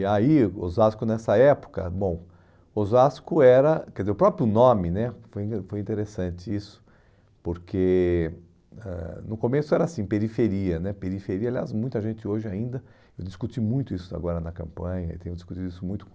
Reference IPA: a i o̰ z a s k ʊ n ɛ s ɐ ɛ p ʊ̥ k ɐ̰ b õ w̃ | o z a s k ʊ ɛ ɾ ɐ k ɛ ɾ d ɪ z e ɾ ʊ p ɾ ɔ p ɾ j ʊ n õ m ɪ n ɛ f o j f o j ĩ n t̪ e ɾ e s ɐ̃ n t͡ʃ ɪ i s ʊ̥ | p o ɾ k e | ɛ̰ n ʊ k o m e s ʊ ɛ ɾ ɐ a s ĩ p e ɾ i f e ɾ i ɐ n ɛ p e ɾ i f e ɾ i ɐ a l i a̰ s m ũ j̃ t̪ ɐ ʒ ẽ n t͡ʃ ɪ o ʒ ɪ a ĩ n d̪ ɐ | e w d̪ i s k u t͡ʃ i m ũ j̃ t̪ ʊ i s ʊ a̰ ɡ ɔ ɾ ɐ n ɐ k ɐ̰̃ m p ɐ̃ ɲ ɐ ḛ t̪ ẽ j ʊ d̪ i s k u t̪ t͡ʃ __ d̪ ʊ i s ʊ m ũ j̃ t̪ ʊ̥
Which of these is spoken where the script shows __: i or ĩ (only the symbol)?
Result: i